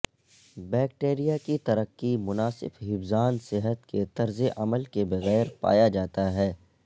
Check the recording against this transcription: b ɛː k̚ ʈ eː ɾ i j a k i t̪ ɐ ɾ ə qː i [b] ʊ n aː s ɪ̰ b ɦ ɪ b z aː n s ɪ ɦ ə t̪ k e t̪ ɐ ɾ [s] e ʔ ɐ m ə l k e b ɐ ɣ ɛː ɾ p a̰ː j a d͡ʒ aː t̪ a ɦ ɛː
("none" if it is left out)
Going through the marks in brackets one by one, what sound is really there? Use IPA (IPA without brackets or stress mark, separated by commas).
m, z